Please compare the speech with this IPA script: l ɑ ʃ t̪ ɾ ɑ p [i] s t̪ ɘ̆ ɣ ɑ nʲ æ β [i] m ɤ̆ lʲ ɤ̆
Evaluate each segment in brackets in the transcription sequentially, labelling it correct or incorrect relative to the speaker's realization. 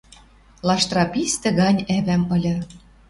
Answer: correct, incorrect: æ

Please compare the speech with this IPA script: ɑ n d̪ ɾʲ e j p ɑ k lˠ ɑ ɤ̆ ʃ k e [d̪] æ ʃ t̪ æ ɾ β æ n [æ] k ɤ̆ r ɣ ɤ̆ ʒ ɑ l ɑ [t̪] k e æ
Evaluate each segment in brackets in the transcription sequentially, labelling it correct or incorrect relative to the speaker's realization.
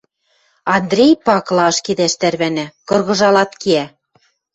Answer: correct, correct, correct

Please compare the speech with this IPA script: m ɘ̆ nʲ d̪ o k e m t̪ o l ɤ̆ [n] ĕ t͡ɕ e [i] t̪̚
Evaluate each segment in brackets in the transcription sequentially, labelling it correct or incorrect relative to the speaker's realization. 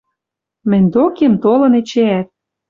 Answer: correct, incorrect: æ

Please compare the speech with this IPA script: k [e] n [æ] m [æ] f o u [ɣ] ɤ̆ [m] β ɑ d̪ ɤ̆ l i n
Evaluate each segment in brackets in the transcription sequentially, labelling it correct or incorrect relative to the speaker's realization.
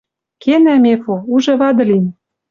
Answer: correct, correct, incorrect: e, incorrect: ʒ, incorrect: none

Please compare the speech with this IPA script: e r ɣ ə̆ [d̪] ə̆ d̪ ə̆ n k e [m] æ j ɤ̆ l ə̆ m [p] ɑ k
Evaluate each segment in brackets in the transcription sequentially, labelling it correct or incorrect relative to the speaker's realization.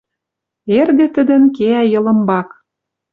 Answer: incorrect: t̪, incorrect: none, incorrect: b

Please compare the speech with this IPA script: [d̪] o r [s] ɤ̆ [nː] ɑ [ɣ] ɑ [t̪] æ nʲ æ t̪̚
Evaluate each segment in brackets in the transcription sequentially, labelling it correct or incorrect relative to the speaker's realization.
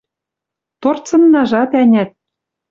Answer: incorrect: t̪, incorrect: t͡s, correct, incorrect: ʒ, correct

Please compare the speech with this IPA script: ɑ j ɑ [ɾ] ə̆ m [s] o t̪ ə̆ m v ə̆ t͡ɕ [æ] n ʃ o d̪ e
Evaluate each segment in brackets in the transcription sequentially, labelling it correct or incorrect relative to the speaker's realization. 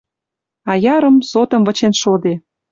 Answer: correct, correct, incorrect: e

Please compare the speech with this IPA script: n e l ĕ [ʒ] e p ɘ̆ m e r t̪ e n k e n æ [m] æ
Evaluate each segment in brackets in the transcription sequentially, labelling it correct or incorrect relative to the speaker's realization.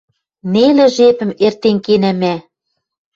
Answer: correct, correct

